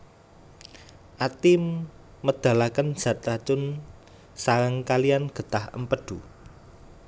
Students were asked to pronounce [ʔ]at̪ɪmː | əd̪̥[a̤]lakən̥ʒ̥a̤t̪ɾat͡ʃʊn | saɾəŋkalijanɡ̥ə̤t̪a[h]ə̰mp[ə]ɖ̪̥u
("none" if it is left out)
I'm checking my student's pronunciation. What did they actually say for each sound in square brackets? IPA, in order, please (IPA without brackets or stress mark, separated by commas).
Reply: ʔ, a̤, h, ə